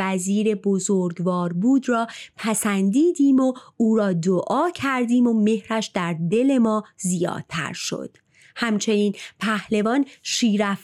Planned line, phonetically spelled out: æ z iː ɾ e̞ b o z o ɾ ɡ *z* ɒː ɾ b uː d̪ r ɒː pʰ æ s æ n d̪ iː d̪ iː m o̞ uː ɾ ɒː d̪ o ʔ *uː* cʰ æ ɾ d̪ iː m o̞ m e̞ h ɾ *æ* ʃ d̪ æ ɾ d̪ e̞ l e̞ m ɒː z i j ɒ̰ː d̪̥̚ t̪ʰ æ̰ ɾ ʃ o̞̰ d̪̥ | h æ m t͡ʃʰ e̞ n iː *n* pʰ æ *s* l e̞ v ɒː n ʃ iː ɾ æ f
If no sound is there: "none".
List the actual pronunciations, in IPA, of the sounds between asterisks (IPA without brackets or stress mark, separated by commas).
v, ɒː, æ, n, h